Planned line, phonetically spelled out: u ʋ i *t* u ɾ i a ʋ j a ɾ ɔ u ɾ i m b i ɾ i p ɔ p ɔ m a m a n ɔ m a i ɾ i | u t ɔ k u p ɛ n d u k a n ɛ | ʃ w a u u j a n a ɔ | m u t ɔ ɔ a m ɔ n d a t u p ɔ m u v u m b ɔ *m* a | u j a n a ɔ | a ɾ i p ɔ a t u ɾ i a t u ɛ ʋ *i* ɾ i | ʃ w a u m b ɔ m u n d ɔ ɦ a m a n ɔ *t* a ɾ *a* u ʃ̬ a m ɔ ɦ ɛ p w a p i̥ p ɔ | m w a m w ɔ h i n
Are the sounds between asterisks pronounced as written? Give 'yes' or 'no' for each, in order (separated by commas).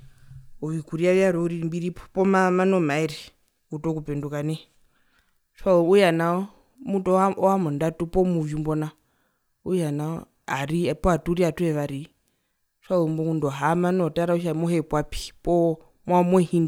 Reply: no, no, no, yes, yes